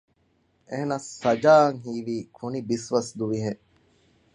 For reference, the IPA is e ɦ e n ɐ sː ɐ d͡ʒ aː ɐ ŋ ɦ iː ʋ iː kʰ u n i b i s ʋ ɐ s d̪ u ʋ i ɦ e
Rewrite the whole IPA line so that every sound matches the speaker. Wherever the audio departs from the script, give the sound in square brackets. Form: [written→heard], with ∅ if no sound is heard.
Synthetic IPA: e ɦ e n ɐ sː ɐ d͡ʒ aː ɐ ŋ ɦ iː ʋ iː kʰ u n i b i s ʋ ɐ s d̪ u ʋ i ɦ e